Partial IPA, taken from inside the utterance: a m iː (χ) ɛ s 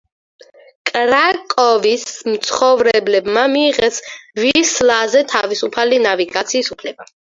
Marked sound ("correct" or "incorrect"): incorrect